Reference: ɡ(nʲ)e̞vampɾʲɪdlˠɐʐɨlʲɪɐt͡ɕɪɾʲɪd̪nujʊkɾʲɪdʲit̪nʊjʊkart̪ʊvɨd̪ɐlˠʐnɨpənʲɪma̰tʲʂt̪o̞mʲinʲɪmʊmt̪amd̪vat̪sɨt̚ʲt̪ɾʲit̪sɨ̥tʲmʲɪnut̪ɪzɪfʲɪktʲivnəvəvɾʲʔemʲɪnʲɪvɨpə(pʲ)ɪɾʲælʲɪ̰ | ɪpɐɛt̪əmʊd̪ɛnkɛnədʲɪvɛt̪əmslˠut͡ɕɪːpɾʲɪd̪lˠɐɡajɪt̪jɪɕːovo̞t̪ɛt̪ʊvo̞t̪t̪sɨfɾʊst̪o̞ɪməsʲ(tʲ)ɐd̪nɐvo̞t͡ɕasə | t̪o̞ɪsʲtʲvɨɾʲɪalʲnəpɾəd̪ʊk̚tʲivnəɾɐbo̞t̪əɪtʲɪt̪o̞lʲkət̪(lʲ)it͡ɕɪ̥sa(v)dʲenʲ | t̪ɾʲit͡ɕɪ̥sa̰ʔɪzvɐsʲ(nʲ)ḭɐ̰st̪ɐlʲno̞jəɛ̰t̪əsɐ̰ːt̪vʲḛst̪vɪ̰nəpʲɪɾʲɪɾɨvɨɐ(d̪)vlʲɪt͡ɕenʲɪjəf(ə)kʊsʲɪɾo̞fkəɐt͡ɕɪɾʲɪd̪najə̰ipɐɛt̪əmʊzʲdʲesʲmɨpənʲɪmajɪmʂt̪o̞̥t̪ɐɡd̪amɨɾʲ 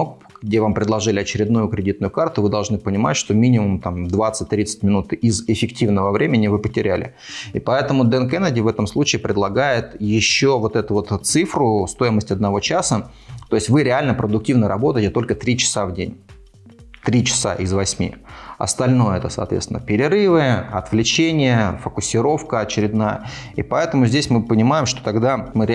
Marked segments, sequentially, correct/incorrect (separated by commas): incorrect, incorrect, correct, incorrect, correct, incorrect, incorrect, correct